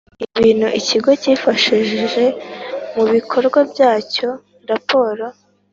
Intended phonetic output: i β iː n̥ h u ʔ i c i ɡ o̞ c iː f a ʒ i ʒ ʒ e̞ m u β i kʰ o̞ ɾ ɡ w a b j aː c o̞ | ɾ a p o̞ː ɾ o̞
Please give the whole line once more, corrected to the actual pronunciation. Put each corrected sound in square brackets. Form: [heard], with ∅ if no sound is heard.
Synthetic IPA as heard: i β iː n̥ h u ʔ i c i ɡ o̞ c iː f a [ʃ] i ʒ ʒ e̞ m u β i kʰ o̞ ɾ ɡ w a b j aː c o̞ | ɾ a p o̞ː ɾ o̞